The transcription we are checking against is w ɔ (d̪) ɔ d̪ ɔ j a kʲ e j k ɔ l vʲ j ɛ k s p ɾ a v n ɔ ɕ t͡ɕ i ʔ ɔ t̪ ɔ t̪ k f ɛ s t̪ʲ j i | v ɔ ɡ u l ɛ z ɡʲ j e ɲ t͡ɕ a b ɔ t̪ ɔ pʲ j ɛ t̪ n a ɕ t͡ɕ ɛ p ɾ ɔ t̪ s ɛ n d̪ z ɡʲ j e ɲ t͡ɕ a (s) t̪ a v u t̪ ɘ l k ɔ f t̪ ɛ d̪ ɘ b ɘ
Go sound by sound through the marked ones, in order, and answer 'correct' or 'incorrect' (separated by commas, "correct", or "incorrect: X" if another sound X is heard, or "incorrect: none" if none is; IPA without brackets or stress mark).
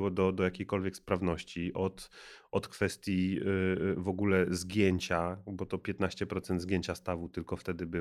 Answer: correct, correct